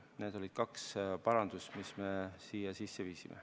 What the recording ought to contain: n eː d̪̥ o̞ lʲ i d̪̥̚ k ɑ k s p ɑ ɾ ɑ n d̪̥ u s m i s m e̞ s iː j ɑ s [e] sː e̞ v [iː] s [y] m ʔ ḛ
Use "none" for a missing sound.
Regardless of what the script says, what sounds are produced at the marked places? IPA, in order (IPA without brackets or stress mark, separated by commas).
i, iː, i